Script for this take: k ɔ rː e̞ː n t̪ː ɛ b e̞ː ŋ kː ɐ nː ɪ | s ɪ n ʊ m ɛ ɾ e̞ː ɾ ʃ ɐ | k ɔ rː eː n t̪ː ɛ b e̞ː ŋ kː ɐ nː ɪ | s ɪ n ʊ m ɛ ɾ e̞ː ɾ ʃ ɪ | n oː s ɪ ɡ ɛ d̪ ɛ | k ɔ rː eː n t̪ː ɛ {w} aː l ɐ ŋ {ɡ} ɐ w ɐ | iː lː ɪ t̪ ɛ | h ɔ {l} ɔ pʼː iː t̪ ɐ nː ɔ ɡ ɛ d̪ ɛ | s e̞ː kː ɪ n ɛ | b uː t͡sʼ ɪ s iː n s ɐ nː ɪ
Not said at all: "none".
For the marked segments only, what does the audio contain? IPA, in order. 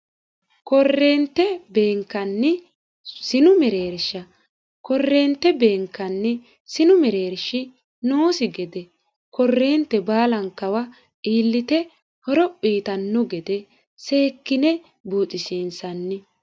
b, k, ɾ

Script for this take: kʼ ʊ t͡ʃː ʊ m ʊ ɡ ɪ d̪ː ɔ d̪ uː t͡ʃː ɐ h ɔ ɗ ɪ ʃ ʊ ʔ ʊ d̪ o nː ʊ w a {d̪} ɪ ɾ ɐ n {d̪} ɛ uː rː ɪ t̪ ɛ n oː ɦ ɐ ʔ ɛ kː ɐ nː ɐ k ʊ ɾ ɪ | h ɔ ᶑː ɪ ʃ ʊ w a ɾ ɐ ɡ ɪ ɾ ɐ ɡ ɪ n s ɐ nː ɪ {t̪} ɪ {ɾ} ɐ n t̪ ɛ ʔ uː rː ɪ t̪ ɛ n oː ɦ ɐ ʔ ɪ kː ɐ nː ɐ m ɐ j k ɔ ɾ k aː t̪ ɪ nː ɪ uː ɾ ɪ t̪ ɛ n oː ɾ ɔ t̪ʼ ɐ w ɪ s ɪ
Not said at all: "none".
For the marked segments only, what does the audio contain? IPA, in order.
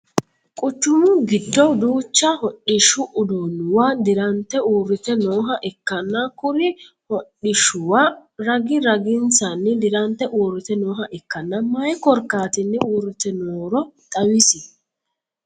d̪, t̪, d̪, ɾ

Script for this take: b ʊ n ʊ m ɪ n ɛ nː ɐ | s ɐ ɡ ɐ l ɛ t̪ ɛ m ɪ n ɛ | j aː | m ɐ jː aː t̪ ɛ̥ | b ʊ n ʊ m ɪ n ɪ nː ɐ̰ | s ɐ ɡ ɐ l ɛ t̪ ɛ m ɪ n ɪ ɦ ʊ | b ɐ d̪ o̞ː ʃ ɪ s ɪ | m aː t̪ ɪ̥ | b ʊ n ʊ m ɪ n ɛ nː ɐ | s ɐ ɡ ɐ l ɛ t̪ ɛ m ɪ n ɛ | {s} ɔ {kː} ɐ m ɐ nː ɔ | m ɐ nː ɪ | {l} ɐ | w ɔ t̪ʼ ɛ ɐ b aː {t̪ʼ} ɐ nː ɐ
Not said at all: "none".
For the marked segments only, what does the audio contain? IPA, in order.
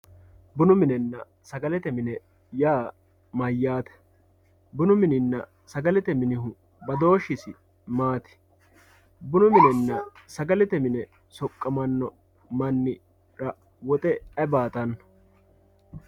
s, kʼː, ɾ, t̪

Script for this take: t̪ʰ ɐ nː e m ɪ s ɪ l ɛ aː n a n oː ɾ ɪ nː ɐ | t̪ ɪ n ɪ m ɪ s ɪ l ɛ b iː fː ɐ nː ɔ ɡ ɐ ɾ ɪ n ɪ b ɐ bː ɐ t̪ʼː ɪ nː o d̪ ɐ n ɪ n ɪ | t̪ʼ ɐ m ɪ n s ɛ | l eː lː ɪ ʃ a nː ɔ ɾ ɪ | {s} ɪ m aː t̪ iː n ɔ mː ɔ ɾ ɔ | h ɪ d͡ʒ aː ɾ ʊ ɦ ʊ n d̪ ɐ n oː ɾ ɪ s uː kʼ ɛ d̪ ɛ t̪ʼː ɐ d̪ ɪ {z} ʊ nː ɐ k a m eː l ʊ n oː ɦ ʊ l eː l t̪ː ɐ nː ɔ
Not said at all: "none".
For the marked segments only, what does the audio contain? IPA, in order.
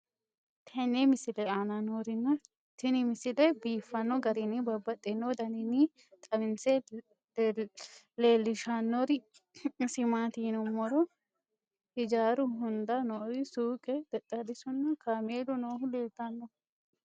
s, s

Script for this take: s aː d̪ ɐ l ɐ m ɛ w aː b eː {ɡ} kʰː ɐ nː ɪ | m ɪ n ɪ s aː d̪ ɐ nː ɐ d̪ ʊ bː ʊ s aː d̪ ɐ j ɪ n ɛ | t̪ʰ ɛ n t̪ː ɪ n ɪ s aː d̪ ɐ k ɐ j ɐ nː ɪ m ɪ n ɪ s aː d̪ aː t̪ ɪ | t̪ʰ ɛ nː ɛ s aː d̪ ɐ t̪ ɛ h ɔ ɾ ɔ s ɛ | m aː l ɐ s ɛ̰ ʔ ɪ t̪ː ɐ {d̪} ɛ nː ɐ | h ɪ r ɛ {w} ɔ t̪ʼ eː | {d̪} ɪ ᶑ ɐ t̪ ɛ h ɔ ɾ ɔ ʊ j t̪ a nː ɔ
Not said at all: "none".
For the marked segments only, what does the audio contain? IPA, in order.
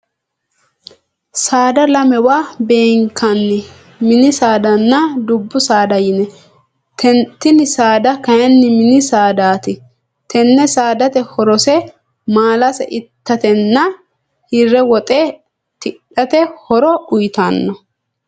ŋ, t̪, w, t̪

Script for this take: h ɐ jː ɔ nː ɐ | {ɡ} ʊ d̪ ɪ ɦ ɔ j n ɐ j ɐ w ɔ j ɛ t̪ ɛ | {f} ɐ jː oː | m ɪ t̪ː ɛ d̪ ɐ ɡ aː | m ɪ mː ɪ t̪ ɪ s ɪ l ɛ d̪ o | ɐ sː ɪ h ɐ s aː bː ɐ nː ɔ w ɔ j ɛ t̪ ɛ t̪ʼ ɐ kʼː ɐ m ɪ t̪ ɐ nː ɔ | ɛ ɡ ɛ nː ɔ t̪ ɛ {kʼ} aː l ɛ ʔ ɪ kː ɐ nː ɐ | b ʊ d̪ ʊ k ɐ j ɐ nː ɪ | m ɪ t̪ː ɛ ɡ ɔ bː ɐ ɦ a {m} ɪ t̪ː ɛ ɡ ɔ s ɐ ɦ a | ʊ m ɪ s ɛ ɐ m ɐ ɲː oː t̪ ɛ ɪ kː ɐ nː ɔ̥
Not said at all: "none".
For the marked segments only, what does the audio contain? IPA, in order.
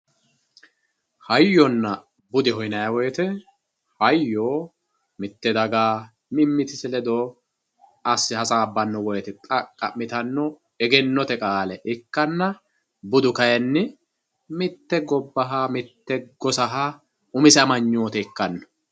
b, h, kʼ, m

